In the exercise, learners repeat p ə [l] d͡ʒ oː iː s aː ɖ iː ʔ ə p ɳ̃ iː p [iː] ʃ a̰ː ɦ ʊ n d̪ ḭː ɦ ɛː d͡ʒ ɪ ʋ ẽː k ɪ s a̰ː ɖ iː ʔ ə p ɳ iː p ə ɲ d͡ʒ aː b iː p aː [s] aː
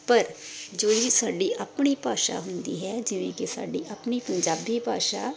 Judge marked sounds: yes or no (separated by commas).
no, no, no